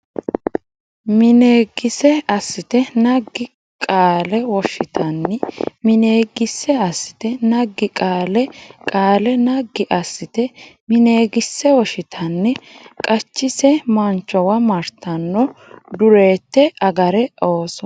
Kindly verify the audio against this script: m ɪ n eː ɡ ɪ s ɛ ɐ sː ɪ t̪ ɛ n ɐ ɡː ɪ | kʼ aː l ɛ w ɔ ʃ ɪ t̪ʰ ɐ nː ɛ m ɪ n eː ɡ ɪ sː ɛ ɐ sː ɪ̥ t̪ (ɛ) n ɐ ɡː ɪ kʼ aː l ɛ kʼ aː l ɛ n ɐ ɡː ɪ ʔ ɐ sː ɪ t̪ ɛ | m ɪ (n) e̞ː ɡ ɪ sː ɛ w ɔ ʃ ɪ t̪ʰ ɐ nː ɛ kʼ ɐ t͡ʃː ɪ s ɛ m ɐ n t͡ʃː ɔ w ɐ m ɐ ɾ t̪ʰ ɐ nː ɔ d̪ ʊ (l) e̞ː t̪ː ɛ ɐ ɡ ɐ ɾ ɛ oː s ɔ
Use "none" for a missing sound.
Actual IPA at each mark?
ɛ, n, ɾ

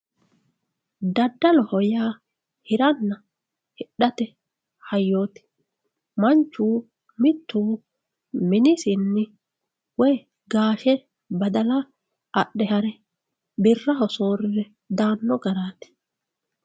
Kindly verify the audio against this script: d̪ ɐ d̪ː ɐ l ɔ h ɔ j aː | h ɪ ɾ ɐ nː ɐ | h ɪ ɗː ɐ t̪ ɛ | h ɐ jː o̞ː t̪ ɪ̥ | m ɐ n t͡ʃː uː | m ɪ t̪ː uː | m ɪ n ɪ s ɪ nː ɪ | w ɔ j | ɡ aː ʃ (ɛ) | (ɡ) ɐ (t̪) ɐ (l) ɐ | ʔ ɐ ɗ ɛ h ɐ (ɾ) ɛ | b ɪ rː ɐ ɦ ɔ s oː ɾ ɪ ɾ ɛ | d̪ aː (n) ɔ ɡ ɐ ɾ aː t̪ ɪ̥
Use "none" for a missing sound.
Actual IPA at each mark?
ɛ, b, d̪, l, ɾ, nː

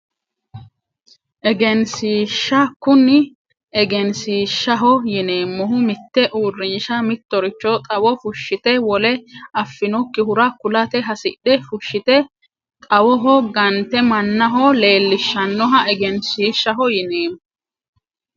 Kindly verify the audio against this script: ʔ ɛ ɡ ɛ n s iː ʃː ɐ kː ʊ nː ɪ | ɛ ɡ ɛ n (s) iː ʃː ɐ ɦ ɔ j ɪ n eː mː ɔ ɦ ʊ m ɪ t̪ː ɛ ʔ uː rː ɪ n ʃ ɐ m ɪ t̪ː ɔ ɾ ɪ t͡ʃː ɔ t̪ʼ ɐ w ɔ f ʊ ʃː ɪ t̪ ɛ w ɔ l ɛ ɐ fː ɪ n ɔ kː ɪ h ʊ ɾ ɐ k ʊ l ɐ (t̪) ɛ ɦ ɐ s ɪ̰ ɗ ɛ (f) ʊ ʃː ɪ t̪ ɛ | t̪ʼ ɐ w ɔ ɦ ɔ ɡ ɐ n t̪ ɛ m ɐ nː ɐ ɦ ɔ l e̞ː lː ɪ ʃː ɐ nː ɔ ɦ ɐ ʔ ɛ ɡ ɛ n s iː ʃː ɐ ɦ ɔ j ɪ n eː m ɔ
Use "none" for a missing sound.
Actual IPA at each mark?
s, t̪, f

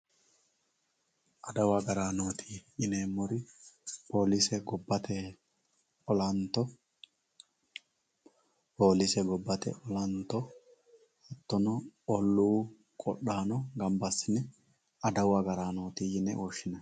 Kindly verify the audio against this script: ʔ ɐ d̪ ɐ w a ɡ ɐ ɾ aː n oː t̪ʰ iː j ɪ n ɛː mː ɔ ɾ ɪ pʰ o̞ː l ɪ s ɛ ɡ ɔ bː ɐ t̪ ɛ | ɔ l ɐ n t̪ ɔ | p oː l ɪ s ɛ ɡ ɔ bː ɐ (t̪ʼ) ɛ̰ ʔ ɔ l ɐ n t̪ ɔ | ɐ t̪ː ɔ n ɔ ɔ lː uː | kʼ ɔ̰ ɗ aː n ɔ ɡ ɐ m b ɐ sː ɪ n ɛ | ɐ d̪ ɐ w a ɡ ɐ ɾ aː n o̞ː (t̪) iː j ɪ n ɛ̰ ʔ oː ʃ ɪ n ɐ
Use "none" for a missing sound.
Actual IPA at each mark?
t̪, t̪

